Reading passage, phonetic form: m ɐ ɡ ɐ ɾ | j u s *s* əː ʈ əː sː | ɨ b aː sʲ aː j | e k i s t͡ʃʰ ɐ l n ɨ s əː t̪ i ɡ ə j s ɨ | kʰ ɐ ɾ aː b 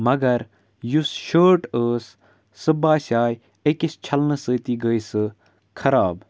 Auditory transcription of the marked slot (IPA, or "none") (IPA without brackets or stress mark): ʃ